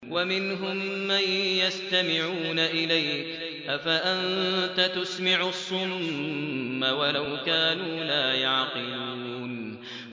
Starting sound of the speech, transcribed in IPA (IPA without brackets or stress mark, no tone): w